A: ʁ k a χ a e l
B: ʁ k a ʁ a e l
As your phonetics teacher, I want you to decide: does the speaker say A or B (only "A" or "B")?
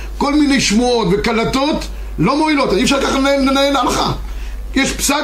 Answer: A